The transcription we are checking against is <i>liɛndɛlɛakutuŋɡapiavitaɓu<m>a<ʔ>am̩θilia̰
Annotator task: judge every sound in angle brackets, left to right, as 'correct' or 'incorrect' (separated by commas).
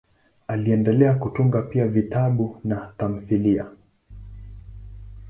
incorrect, incorrect, incorrect